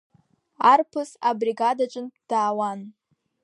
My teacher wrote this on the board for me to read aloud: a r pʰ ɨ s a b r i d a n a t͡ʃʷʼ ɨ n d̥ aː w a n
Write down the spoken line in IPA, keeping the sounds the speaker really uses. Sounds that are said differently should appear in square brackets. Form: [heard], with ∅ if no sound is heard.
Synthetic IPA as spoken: a r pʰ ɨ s a b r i [ɡ] a [d] a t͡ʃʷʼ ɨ n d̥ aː w a n